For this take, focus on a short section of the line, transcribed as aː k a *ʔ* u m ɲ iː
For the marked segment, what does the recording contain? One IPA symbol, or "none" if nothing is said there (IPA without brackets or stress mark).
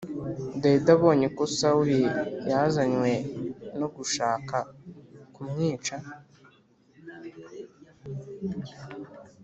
k